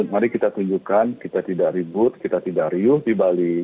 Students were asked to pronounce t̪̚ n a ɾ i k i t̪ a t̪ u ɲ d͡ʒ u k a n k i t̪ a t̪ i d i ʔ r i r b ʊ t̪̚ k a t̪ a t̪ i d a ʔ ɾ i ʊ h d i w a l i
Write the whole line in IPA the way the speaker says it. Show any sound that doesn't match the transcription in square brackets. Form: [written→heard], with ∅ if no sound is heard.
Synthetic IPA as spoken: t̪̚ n a ɾ i k i t̪ a t̪ u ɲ d͡ʒ u k a n k i t̪ a t̪ i d [i→a] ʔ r i [r→∅] b ʊ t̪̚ k [a→i] t̪ a t̪ i d a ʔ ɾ i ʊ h d i [w→b] a l i

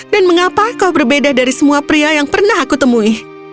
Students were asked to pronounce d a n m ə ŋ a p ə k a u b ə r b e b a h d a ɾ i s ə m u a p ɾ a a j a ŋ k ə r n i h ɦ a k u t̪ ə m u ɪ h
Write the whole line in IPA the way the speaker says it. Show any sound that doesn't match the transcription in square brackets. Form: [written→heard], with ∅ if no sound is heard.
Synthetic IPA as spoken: d a n m ə ŋ a p [ə→a] k a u b ə r b e [b→d] a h d a ɾ i s ə m u a p ɾ [a→i] a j a ŋ [k→p] ə r n [i→a] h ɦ a k u t̪ ə m u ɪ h

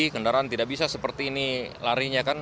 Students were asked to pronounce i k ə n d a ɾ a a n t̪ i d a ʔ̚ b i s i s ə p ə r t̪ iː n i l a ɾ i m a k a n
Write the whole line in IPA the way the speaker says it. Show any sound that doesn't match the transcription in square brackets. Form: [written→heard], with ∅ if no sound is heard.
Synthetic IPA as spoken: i k ə n d a ɾ a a n t̪ i d a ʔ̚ b i s [i→a] s ə p ə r t̪ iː n i l a ɾ i [m→ɲ] a k a n

